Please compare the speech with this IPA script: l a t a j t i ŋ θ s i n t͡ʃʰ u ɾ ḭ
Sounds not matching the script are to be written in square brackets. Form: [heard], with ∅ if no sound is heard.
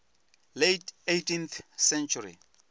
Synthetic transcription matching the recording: l [e] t [e] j t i [n] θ s [ɛ] n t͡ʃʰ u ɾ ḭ